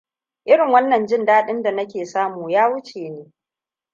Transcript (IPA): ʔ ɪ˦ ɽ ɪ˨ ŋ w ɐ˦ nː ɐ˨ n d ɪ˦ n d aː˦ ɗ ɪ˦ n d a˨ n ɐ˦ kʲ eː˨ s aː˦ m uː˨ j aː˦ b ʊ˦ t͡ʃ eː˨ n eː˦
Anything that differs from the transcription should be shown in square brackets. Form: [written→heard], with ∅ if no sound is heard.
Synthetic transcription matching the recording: ʔ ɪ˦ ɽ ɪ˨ ŋ w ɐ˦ nː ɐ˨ n [d→d͡ʒ] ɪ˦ n d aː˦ ɗ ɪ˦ n d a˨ n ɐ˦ kʲ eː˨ s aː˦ m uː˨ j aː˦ [b→w] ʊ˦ t͡ʃ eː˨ n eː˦